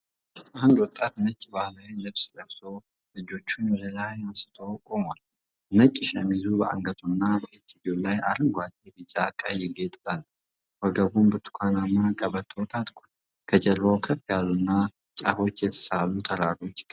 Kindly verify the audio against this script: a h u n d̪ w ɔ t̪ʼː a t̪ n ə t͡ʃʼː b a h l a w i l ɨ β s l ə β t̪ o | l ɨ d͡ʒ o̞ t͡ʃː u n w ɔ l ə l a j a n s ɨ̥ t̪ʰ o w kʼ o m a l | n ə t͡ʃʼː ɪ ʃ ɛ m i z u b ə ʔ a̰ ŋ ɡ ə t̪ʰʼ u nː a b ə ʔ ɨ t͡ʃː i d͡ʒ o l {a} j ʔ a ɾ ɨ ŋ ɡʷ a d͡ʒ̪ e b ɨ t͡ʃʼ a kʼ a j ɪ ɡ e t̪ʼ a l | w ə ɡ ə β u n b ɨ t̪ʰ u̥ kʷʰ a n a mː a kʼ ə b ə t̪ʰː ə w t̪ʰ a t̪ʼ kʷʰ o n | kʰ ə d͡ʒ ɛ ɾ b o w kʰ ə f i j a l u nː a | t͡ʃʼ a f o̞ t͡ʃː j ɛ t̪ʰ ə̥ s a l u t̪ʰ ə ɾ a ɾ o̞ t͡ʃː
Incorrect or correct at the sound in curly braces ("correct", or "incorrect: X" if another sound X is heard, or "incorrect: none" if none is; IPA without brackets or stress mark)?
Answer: correct